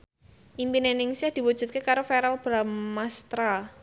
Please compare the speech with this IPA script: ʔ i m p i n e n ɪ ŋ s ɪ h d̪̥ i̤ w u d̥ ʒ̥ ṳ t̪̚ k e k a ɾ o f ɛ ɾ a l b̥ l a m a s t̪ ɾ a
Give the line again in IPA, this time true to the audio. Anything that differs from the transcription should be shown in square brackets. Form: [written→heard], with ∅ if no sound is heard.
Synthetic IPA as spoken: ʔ i m p i n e n ɪ ŋ s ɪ h d̪̥ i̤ w u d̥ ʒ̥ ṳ t̪̚ k e k a ɾ o f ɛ ɾ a l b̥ [l→ɾ] a m a s t̪ ɾ a